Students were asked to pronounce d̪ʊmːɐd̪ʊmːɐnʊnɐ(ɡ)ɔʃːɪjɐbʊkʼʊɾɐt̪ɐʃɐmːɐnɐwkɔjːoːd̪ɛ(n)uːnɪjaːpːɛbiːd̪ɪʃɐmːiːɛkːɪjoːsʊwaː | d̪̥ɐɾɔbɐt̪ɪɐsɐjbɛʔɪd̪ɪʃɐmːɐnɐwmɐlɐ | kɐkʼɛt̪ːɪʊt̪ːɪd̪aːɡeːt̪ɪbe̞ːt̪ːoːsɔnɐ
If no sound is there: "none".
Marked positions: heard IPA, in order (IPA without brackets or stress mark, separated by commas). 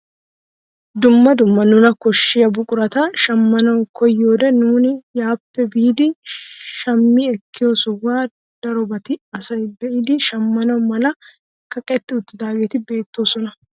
k, n